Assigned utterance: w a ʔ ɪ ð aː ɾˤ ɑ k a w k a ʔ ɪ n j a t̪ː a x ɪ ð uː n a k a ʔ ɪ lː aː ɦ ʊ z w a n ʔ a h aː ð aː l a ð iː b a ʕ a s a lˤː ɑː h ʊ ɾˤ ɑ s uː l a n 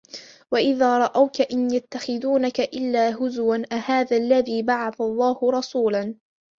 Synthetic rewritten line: w a ʔ ɪ ð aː ɾˤ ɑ ʔ a w k a ʔ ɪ n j a t̪ː a x ɪ ð uː n a k a ʔ ɪ lː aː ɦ ʊ z w a n ʔ a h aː ð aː lː a ð iː b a ʕ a θ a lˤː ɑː h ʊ ɾˤ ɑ s uː l a n